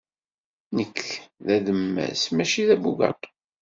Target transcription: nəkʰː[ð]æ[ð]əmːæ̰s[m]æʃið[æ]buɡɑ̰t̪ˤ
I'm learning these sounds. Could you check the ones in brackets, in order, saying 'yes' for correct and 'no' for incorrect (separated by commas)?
yes, yes, yes, yes